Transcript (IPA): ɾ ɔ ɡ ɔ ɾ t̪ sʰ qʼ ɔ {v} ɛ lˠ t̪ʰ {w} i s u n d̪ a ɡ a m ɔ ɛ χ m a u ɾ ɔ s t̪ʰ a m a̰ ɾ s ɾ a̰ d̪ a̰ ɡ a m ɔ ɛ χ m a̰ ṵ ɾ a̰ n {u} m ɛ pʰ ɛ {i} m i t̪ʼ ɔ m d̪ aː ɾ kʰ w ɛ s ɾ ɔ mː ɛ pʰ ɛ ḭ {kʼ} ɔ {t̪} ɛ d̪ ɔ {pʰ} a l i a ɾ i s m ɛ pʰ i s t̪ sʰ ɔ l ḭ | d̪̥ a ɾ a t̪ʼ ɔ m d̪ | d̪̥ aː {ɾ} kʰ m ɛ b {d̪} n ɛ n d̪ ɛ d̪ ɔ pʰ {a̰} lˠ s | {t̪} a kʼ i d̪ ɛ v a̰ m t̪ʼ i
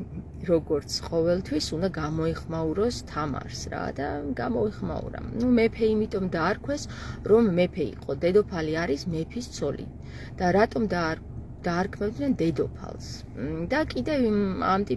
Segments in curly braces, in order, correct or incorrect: correct, correct, correct, correct, incorrect: qʼ, incorrect: d̪, correct, correct, correct, correct, incorrect: d̪

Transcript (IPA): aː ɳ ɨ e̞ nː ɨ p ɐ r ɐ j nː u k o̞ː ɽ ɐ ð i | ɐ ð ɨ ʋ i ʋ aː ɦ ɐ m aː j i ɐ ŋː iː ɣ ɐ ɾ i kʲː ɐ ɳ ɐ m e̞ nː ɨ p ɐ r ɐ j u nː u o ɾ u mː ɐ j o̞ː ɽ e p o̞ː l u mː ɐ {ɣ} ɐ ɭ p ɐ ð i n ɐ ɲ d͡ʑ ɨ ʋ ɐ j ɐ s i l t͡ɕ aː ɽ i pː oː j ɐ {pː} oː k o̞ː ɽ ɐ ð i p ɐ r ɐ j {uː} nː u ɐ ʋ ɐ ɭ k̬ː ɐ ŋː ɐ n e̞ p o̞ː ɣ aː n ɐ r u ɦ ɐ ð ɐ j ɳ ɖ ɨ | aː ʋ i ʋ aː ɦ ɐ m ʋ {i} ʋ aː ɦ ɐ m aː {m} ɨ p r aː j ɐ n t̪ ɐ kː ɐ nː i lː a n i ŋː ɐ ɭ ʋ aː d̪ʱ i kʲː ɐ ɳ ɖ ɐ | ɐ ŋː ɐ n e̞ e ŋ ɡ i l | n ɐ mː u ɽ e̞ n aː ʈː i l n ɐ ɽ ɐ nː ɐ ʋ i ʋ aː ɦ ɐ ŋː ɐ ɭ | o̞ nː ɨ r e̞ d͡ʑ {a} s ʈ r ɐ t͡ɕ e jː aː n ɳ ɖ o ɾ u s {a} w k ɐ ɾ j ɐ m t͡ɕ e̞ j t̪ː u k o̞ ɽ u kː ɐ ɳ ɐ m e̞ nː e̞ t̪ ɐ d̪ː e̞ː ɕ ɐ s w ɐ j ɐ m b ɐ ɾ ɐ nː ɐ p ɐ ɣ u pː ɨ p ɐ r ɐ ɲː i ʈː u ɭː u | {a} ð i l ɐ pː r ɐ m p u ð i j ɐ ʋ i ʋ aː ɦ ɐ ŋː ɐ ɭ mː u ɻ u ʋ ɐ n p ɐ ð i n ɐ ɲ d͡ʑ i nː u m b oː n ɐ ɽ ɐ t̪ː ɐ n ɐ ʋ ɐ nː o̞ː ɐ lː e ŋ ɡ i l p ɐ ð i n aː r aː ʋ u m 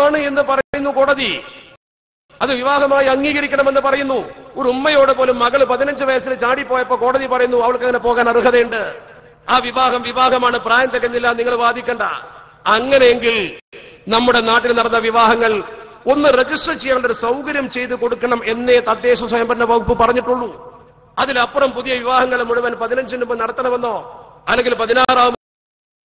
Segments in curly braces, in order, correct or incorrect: correct, correct, incorrect: u, correct, incorrect: ɳ, incorrect: i, incorrect: ɐ, incorrect: ɐ

